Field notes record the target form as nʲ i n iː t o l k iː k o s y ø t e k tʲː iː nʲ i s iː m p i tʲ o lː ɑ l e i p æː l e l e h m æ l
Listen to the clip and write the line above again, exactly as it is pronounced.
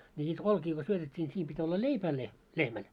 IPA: nʲ i n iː t o l k iː k o s y ø t e tʲː iː nʲ i s iː m p i tʲ o lː ɑ l e i p æː l e l e h m æ l